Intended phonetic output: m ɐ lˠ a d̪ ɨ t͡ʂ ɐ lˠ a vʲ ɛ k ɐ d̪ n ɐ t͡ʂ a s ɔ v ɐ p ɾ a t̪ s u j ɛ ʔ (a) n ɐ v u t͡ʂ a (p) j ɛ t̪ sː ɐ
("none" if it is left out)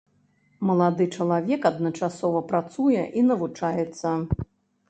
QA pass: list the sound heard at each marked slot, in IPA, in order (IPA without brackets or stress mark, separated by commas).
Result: i, none